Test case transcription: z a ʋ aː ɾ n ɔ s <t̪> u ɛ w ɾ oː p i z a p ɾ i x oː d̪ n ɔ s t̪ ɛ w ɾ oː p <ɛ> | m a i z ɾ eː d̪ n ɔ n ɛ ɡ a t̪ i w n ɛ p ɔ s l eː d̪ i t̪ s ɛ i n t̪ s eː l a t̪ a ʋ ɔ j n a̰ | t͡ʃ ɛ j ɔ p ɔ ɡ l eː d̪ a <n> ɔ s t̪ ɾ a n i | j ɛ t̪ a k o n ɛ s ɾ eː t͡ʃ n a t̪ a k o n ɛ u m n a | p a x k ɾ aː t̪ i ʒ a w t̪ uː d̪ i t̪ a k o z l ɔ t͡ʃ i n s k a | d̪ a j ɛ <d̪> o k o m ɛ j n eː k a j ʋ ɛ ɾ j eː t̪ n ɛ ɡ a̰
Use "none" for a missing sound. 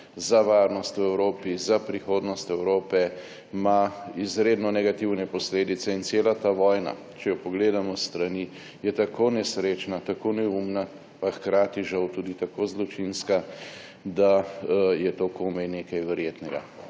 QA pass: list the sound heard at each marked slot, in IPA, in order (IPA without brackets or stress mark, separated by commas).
t̪, ɛ, m, t̪